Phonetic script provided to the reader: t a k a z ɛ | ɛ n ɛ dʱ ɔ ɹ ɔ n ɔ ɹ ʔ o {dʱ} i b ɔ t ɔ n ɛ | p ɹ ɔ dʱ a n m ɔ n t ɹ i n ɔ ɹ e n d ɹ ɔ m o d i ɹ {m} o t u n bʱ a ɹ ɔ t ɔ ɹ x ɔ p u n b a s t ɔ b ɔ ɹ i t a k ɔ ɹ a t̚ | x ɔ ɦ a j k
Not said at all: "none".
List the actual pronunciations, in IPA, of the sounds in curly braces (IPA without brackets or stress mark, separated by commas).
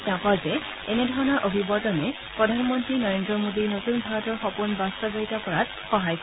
bʱ, n